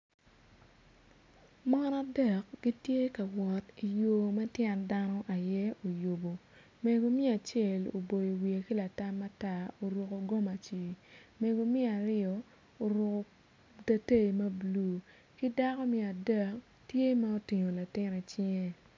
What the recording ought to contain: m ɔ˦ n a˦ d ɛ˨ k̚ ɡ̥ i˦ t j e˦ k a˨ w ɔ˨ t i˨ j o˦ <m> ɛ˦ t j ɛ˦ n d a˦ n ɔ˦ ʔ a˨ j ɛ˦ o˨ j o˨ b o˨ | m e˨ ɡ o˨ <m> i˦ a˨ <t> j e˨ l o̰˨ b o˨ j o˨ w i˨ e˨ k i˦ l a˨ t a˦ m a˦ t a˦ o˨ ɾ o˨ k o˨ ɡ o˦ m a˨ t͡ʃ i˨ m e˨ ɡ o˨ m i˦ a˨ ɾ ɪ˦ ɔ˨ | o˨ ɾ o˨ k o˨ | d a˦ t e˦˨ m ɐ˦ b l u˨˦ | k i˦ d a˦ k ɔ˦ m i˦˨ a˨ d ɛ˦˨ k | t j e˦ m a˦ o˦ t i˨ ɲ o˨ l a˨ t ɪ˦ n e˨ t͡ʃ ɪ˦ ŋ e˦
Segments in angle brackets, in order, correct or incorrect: correct, correct, incorrect: t͡ʃ

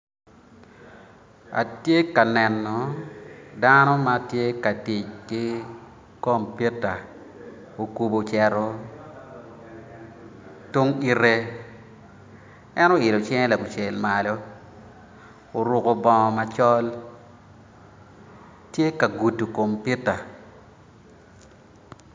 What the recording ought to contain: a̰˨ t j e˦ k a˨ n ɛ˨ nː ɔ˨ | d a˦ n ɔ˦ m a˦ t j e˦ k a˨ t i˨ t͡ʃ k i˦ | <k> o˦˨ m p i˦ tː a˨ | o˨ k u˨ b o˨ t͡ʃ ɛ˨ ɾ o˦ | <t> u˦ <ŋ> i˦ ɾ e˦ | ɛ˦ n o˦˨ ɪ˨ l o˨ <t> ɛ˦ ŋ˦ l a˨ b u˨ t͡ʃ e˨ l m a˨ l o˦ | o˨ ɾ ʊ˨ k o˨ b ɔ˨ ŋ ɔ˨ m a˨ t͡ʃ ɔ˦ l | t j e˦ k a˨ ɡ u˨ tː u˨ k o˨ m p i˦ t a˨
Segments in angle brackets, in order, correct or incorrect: correct, correct, correct, incorrect: t͡ʃ

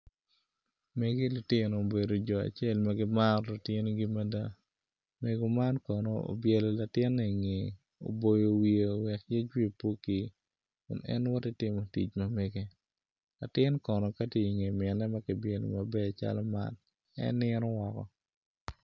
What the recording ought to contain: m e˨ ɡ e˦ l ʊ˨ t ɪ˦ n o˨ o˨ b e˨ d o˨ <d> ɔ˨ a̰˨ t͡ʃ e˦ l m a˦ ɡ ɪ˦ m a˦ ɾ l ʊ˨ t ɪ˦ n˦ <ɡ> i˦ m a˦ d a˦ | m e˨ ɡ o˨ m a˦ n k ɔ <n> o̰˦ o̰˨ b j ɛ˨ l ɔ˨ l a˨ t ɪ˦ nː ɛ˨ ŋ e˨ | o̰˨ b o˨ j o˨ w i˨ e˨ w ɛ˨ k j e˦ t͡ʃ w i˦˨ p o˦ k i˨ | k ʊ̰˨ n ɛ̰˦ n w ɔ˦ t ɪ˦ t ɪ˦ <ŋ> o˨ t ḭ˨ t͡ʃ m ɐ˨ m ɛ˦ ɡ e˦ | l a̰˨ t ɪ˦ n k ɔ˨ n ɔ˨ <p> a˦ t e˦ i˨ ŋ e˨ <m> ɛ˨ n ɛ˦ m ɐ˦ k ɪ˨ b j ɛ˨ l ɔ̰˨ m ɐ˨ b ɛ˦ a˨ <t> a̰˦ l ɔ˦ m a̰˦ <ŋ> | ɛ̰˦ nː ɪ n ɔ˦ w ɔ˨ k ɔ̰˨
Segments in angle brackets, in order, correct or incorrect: incorrect: d͡ʒ, correct, correct, incorrect: m, incorrect: k, correct, incorrect: t͡ʃ, incorrect: n

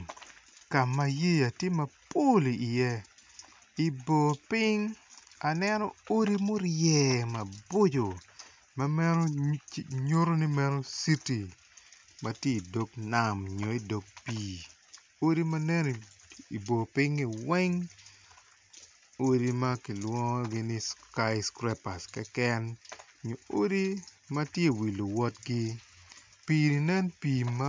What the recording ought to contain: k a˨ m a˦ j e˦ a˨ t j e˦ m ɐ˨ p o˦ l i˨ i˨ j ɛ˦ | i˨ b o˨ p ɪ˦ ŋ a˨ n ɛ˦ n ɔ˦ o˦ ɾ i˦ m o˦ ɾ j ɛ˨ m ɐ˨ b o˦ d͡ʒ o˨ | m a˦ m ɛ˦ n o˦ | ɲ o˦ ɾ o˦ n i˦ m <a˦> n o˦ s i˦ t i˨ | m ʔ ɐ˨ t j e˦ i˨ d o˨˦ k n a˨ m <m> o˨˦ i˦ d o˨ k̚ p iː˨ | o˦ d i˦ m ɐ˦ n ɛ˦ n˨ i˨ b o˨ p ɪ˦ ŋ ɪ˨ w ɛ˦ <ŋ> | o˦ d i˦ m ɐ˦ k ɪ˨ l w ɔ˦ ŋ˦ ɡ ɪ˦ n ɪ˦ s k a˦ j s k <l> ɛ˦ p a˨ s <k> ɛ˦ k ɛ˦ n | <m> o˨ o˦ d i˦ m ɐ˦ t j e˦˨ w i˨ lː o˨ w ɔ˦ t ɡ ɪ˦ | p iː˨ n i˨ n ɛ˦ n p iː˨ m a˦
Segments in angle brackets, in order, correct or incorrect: incorrect: ɛ˦, incorrect: ɲ, correct, incorrect: ɾ, correct, incorrect: ɲ

